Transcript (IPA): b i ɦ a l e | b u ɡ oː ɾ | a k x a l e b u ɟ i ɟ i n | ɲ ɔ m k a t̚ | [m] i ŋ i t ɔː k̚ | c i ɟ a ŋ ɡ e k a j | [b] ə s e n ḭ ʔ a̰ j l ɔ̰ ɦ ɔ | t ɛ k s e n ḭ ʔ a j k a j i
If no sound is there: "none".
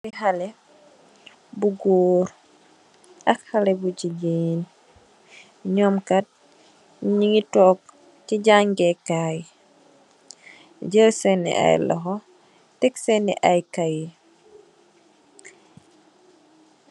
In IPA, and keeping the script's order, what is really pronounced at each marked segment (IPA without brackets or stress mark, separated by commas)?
ɲ, ɟ